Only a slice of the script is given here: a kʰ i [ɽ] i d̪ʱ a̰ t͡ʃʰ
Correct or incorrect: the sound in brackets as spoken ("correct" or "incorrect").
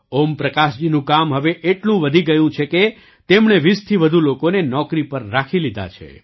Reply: incorrect